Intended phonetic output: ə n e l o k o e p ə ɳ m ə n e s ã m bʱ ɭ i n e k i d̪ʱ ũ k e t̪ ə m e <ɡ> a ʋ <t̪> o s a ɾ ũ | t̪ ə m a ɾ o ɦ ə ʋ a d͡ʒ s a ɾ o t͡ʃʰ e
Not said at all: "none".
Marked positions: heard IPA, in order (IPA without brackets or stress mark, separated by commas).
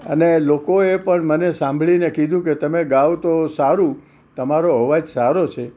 ɡ, t̪